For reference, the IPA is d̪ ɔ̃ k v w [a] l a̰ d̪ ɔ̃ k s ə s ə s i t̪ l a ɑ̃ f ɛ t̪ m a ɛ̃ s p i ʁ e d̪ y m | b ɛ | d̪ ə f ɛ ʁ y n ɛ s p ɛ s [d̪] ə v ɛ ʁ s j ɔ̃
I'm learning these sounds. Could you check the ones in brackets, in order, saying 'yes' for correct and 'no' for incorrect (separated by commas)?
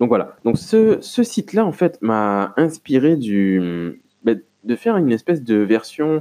yes, yes